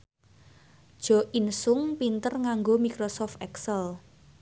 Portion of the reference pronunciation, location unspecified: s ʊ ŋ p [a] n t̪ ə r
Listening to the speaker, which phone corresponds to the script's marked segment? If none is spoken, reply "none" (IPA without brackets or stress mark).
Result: i